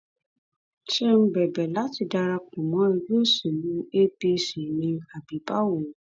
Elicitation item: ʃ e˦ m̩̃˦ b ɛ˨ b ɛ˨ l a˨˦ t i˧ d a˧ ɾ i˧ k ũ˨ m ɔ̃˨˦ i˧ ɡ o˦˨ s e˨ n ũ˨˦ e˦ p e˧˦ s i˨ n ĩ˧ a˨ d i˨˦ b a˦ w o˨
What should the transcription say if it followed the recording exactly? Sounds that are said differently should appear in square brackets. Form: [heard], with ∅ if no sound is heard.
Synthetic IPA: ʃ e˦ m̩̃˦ b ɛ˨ b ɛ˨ l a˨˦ t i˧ d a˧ ɾ [a˧] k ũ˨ m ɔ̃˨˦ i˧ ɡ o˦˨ s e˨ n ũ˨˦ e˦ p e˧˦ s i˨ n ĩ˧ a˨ [b] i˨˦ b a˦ w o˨

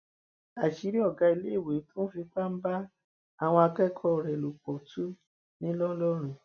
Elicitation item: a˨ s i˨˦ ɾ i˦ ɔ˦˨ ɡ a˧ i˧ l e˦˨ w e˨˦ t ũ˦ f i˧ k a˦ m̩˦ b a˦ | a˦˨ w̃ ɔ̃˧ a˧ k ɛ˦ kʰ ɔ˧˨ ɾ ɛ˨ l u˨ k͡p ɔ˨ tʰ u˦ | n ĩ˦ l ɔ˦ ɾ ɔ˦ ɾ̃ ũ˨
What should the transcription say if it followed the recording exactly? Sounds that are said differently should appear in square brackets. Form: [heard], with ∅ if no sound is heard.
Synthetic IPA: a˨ [ʃ] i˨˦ ɾ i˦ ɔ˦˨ ɡ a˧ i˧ l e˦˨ w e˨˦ t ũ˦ f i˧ [k͡p] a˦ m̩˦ b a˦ | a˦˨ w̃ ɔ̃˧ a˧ k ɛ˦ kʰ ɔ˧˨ ɾ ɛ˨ l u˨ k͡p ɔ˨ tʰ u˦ | n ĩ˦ l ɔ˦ [l] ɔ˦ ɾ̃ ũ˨

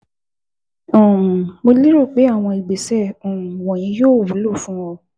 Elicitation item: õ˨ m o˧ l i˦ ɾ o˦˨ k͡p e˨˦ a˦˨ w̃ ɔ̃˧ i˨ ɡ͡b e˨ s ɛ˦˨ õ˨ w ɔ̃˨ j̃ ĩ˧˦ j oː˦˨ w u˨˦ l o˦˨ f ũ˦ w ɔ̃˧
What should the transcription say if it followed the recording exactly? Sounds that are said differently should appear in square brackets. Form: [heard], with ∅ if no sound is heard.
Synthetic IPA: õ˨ m o˧ l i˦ ɾ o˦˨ k͡p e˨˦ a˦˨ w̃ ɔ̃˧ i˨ ɡ͡b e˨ s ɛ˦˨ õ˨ w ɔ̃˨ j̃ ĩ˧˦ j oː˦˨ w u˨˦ l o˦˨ f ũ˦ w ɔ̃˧

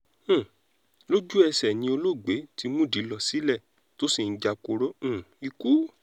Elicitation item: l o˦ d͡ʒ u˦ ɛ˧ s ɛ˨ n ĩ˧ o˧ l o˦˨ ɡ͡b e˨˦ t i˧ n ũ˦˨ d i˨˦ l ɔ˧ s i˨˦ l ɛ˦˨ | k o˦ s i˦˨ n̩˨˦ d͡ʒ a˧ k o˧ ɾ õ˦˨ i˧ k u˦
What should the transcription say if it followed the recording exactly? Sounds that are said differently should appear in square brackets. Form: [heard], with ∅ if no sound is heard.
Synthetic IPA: l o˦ d͡ʒ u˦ ɛ˧ s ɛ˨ n ĩ˧ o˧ l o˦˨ ɡ͡b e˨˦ t i˧ [m] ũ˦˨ d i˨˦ l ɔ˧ s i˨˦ l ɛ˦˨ | [t] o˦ s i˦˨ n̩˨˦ d͡ʒ a˧ k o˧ ɾ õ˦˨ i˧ k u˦

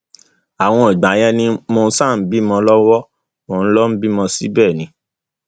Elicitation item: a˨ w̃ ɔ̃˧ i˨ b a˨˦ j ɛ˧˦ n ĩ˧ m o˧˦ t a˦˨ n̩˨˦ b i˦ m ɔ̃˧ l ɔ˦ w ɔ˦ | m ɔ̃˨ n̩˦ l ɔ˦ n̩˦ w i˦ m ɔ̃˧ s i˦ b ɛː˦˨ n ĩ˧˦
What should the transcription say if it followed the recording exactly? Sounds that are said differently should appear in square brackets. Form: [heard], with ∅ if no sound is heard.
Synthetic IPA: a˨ w̃ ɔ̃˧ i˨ [ɡ͡b] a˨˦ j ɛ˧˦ n ĩ˧ m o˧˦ [s] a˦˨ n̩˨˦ b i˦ m ɔ̃˧ l ɔ˦ w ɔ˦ | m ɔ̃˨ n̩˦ l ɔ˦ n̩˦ [b] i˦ m ɔ̃˧ s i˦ b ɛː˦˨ n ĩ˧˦

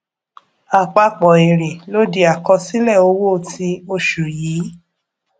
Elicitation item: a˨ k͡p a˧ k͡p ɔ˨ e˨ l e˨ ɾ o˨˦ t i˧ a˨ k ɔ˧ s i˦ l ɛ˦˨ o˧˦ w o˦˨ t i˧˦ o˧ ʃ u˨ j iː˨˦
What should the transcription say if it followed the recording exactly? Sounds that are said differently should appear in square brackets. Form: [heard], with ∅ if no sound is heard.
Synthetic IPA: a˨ k͡p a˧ k͡p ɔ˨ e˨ [ɾ] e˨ [l] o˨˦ [d] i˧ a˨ k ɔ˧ s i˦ l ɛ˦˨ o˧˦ w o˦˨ t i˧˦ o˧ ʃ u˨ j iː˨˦

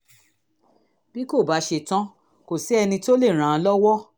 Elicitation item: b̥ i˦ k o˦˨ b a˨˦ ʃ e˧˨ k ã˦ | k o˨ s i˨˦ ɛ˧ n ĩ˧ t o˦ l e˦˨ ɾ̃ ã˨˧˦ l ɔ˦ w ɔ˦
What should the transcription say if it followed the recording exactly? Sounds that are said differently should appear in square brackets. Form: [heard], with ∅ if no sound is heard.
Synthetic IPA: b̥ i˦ k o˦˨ b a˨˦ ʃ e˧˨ [t] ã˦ | k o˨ s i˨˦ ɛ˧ n ĩ˧ t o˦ l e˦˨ ɾ̃ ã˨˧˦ l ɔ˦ w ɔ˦

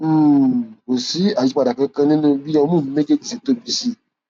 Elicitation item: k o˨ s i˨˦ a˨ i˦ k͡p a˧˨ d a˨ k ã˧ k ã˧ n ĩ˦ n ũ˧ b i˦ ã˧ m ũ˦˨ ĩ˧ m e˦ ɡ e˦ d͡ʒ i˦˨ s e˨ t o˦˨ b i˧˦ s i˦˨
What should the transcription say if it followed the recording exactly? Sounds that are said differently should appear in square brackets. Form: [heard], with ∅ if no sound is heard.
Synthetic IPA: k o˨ s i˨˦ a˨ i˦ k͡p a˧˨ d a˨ k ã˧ k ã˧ n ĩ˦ n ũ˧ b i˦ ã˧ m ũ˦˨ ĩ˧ m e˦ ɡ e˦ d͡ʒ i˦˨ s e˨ t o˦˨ b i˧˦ s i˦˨

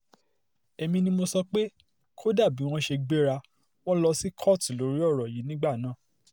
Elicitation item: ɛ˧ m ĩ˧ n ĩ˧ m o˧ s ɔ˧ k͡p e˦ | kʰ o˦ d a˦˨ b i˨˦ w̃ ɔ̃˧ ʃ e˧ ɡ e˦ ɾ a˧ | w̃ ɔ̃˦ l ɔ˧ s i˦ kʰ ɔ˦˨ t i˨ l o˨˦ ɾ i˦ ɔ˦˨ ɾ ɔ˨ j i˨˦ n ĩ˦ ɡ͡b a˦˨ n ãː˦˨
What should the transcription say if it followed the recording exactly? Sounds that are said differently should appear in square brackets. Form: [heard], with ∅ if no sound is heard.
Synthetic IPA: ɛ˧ m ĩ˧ n ĩ˧ m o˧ s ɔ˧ k͡p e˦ | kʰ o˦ d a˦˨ b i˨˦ w̃ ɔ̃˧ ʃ e˧ [ɡ͡b] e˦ ɾ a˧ | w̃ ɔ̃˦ l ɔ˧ s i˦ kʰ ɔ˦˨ t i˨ l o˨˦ ɾ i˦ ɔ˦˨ ɾ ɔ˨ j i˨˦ n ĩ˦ ɡ͡b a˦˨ n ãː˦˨

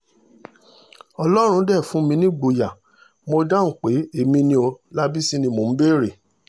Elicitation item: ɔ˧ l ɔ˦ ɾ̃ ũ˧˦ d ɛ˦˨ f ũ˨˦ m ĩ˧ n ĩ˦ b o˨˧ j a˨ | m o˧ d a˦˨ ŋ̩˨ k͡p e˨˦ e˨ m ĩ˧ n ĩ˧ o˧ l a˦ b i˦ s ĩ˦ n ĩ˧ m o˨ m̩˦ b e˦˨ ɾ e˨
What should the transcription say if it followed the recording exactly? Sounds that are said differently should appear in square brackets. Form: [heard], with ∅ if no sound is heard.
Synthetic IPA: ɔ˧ l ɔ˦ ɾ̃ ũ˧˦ d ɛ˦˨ f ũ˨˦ m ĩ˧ n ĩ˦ [ɡ͡b] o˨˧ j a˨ | m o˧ d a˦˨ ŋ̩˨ k͡p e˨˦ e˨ m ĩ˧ n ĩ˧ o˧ l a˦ b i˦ s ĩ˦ n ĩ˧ m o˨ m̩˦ b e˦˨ ɾ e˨

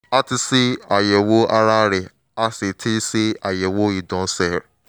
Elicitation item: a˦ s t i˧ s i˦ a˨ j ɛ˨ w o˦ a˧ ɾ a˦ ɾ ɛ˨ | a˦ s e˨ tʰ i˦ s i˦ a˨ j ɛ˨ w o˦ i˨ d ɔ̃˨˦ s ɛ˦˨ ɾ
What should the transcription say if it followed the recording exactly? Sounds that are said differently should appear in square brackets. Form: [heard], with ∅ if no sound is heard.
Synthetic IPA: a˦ [∅] t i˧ s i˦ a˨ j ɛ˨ w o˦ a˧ ɾ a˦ ɾ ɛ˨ | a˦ s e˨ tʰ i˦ s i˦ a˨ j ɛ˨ w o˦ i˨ d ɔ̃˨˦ s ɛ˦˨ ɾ

